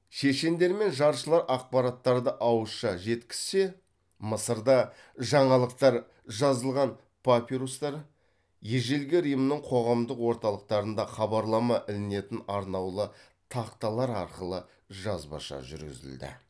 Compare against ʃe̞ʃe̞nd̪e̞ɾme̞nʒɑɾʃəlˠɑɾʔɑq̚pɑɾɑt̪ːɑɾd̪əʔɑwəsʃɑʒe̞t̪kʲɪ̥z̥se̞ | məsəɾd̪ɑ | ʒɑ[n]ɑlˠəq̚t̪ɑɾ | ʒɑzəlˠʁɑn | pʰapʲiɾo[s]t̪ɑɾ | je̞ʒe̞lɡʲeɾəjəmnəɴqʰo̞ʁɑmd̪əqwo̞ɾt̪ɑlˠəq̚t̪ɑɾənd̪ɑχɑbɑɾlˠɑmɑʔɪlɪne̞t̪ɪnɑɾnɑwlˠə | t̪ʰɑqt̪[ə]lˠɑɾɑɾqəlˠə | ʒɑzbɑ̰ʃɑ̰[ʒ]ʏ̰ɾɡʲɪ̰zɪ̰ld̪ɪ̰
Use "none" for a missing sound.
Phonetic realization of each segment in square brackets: ɴ, s, ɑ, ʒ

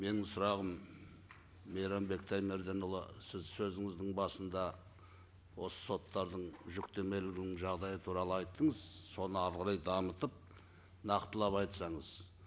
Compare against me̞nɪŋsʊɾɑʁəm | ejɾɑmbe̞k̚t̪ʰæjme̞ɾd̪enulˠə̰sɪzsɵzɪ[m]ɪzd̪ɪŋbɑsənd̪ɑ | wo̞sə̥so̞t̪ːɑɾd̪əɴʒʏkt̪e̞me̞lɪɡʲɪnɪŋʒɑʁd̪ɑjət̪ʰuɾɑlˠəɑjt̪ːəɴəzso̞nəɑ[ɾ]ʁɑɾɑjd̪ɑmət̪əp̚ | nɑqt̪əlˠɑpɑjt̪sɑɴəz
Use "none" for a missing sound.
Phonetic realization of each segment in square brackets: ŋ, ɾ

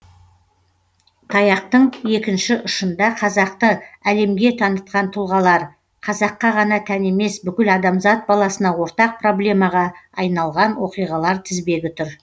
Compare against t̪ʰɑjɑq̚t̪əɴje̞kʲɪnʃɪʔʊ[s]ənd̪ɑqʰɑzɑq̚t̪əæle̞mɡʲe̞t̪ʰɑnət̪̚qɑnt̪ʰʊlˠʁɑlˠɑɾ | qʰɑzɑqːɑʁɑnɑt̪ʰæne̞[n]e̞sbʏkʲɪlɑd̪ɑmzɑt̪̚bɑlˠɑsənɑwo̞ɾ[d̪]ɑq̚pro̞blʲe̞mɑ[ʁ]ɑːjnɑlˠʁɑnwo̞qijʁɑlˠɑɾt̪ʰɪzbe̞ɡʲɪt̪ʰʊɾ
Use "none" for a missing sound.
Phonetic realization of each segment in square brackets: ʃ, m, t̪, ʁ

